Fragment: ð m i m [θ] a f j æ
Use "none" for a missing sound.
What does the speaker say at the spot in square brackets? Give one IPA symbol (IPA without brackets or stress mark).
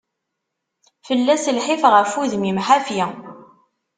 ħ